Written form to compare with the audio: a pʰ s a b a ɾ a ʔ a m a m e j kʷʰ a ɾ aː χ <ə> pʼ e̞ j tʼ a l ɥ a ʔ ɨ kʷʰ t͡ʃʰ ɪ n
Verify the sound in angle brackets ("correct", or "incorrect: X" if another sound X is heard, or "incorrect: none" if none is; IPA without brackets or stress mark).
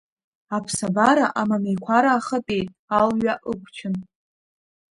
correct